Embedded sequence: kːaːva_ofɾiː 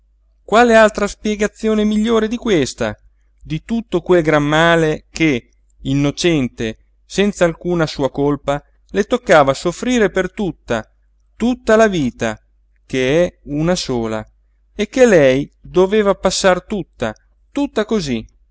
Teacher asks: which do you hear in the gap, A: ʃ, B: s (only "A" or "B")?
B